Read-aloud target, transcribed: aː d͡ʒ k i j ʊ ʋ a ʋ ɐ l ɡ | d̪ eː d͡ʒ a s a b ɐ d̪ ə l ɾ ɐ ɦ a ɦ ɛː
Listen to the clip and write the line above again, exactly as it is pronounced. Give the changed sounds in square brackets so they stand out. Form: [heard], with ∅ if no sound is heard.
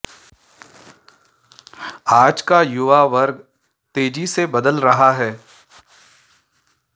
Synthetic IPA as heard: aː d͡ʒ k [a] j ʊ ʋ a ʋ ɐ [ɾ] ɡ | [t̪] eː d͡ʒ [i] s [e] b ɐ d̪ ə l ɾ ɐ ɦ a ɦ ɛː